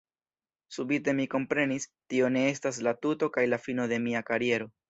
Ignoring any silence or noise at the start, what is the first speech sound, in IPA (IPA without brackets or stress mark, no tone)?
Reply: s